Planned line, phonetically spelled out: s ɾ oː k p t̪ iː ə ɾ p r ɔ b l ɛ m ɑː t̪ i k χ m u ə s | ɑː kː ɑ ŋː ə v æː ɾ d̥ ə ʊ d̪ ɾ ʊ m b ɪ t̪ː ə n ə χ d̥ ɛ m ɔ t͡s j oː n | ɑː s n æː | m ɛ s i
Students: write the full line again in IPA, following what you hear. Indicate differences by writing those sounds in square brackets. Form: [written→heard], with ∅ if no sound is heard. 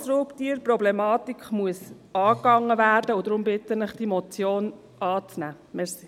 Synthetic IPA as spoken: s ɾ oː [k→∅] p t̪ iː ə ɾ p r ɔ b l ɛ m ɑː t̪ i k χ m u ə s | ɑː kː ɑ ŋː ə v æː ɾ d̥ ə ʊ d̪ ɾ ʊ m b ɪ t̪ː ə n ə χ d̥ [ɛ→i] m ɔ t͡s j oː n | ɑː [s→t͡s] n æː | m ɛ s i